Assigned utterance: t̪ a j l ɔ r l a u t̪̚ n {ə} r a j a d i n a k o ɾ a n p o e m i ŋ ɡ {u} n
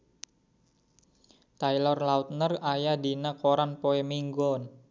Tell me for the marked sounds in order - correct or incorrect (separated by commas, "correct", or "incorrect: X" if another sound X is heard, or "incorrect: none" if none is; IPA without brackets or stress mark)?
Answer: correct, incorrect: ɔ